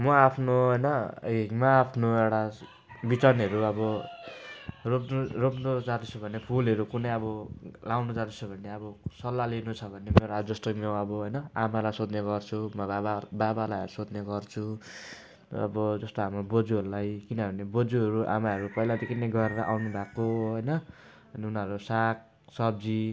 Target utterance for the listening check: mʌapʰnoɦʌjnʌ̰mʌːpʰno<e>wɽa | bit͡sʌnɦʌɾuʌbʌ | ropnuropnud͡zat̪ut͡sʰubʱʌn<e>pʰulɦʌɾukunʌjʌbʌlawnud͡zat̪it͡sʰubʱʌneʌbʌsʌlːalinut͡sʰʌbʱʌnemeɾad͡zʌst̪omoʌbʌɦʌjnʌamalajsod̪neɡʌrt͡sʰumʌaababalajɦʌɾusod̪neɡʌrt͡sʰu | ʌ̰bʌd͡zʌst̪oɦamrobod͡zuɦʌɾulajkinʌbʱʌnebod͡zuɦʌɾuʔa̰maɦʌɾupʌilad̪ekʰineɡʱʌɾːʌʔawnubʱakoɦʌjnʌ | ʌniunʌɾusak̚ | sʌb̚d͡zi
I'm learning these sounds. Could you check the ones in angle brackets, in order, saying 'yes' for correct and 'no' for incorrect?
yes, yes

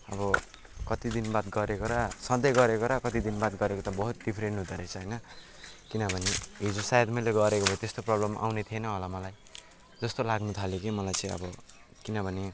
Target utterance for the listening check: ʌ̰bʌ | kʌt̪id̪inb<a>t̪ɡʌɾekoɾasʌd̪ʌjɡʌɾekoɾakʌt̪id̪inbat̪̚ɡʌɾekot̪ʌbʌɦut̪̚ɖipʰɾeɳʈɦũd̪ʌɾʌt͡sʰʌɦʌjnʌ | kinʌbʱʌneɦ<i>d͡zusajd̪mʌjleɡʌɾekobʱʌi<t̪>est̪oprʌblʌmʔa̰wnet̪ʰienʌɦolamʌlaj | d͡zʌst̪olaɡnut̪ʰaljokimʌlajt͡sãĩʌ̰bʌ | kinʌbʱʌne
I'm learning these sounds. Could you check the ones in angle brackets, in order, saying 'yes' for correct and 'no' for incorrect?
yes, yes, yes

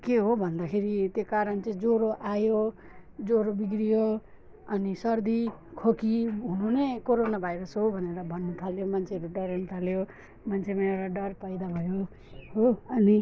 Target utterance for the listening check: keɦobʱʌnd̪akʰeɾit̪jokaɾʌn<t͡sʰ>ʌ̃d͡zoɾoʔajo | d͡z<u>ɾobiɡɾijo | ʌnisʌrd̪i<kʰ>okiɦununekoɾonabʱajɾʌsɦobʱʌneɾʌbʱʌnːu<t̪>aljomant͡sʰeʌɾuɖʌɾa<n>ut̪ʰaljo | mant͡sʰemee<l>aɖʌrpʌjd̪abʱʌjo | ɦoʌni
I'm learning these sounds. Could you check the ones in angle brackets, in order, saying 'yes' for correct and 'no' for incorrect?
no, no, yes, no, yes, no

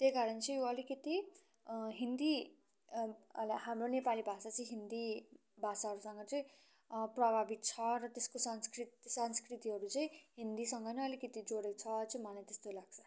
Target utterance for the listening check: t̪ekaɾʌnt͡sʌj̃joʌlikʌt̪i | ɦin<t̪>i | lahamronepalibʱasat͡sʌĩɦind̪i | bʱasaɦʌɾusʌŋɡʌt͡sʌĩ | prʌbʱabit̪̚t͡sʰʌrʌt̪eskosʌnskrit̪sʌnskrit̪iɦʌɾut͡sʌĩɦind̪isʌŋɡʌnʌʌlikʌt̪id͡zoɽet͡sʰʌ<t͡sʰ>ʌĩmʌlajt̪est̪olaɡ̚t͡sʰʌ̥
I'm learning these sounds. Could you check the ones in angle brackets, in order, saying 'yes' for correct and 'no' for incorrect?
no, no

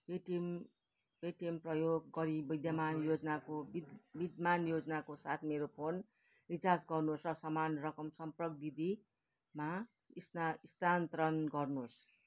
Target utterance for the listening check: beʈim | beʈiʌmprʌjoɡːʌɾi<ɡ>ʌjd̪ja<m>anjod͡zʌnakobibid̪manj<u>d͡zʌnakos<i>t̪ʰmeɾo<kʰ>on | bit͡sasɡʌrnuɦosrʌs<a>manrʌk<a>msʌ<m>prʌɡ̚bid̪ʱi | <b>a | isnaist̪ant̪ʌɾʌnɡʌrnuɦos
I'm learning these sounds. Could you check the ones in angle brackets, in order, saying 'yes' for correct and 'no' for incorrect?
no, yes, no, no, no, no, no, yes, no

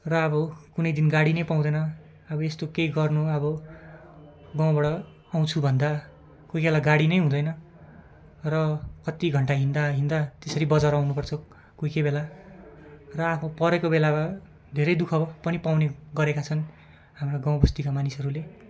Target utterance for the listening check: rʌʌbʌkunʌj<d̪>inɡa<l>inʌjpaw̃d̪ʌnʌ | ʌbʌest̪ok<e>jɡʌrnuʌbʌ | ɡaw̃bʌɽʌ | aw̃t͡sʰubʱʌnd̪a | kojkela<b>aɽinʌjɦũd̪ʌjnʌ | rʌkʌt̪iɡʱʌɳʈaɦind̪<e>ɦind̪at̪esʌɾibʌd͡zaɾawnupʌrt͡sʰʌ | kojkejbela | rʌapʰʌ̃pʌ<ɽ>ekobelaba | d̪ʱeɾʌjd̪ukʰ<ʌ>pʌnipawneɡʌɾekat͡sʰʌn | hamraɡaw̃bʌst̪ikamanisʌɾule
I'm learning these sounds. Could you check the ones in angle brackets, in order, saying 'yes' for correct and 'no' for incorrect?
yes, no, yes, no, no, no, yes

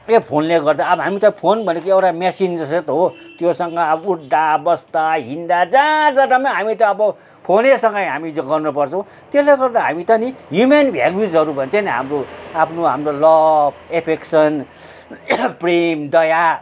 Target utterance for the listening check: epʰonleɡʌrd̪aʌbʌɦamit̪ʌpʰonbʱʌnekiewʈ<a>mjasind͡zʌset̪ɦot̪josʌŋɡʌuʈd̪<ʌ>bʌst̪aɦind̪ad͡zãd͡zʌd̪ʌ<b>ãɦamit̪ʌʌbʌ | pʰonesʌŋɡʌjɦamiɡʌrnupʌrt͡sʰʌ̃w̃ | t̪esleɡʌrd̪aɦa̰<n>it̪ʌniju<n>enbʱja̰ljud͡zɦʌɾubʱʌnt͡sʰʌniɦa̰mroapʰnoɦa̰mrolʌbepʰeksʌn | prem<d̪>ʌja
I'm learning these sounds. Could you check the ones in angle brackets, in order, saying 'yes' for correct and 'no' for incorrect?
yes, no, no, no, no, yes

